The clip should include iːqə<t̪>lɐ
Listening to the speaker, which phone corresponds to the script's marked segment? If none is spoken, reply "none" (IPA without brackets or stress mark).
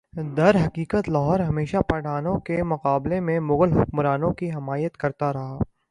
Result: t̪